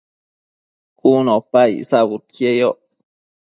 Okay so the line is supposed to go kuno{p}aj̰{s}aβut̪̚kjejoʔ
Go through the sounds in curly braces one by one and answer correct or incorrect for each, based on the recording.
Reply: correct, correct

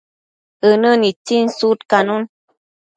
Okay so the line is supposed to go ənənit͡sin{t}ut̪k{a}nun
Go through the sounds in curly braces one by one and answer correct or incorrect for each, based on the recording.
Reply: incorrect: s, correct

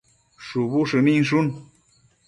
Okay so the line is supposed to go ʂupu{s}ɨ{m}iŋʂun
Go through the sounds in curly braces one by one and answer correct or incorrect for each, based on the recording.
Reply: incorrect: ʂ, correct

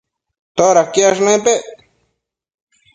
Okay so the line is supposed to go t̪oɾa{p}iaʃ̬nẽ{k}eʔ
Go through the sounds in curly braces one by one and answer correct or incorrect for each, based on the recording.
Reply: incorrect: k, incorrect: p

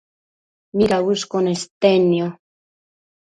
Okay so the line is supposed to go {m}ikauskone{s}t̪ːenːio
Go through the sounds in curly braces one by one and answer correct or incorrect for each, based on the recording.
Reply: correct, correct

